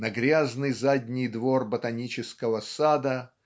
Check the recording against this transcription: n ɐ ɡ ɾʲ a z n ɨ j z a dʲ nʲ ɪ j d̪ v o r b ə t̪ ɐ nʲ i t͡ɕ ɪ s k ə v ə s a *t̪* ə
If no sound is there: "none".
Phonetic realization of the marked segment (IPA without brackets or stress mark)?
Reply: d̪